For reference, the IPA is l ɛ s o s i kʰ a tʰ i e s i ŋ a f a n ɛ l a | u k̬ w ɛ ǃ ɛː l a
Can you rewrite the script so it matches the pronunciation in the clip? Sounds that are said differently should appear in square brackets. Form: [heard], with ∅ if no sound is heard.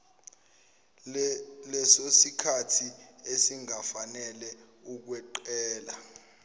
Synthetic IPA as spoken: l ɛ s o s i kʰ a tʰ i e s i ŋ a f a n ɛ l [ɛ] | u k̬ w ɛ ǃ ɛː l a